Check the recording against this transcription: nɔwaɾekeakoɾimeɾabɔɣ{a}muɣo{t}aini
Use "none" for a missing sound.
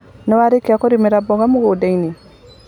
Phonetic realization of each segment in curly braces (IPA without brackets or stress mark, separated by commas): a, d